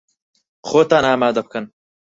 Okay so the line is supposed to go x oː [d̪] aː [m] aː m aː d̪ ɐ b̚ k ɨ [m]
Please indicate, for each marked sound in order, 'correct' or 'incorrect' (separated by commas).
incorrect, incorrect, incorrect